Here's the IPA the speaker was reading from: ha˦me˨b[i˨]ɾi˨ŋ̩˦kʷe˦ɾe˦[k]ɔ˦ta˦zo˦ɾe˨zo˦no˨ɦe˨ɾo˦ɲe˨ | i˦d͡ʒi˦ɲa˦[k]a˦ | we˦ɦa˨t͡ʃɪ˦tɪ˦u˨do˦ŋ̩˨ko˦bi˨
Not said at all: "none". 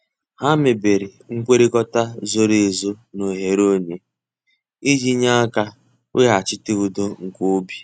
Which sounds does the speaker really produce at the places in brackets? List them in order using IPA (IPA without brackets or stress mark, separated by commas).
e˨, k, k